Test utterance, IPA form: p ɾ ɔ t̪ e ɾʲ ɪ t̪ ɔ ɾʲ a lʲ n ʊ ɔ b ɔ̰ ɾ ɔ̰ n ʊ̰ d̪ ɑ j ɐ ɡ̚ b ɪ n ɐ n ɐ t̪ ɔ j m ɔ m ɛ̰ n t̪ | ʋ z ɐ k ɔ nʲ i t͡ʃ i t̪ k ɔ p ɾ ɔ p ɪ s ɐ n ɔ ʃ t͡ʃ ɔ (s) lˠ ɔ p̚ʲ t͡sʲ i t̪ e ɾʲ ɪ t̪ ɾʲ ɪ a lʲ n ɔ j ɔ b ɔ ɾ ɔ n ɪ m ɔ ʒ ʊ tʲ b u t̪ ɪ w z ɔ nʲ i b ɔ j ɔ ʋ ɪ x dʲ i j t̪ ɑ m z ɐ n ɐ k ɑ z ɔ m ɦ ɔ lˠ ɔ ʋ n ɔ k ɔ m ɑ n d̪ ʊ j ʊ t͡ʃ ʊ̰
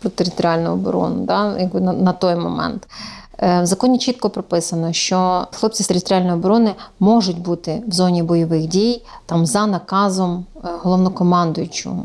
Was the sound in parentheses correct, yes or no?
no